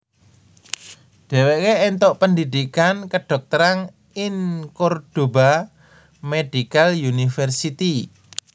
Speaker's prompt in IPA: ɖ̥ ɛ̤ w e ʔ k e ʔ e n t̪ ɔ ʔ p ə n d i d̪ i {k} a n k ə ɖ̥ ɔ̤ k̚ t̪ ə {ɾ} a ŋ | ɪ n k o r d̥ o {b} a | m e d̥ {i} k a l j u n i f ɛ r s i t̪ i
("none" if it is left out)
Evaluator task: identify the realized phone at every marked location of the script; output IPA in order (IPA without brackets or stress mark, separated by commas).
k, ɾ, b, i